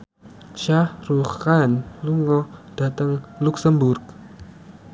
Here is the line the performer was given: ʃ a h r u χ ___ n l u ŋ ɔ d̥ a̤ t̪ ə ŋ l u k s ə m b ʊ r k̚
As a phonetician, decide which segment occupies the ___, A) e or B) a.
B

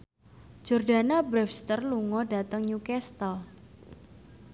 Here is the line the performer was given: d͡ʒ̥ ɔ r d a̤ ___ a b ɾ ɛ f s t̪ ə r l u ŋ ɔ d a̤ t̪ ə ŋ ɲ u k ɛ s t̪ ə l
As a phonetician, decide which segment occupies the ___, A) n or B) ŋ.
A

